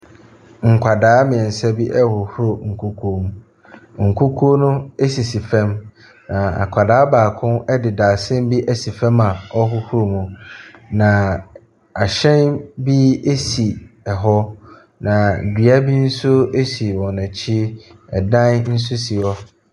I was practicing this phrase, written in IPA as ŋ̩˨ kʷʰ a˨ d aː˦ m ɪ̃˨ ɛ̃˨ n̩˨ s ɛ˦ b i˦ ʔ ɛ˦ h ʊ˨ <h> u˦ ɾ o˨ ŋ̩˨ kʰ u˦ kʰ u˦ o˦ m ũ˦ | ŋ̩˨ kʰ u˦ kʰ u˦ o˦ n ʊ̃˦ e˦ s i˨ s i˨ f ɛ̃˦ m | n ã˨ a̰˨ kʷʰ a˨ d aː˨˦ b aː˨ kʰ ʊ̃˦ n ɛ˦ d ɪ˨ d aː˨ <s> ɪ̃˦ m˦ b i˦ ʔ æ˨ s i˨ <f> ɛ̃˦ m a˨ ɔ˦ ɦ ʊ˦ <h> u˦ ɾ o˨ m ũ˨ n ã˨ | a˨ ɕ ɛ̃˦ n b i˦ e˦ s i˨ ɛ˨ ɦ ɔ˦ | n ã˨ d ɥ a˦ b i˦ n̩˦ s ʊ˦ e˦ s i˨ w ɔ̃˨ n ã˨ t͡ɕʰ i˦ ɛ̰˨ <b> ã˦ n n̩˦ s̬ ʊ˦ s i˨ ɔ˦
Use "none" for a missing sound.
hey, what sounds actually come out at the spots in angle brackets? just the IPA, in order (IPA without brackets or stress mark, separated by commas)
h, s, f, h, d